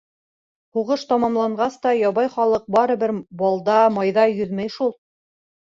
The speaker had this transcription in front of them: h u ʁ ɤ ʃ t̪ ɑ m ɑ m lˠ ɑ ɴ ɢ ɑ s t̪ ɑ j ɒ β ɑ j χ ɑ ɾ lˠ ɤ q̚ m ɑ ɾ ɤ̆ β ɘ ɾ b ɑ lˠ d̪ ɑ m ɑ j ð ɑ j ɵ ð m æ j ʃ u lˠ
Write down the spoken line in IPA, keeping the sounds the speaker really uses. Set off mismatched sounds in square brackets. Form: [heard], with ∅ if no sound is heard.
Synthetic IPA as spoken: h u ʁ ɤ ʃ t̪ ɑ m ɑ m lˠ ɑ ɴ ɢ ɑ s t̪ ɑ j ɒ β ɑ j χ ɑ [∅] lˠ ɤ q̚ [b] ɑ ɾ ɤ̆ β ɘ ɾ b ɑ lˠ d̪ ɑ m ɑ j ð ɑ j ɵ ð m æ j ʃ u lˠ